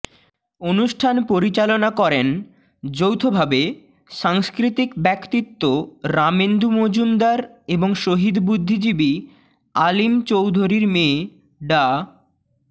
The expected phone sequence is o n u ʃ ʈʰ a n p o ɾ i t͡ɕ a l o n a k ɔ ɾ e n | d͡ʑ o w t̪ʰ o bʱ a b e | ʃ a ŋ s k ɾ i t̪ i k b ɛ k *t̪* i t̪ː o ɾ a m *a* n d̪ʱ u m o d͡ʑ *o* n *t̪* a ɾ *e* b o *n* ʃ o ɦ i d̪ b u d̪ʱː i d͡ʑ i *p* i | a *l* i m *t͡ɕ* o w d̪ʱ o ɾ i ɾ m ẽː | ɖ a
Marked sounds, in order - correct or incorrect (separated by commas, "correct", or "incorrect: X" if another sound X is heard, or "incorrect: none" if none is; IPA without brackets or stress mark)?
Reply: correct, incorrect: e, incorrect: u, incorrect: d̪, correct, incorrect: ŋ, incorrect: b, correct, correct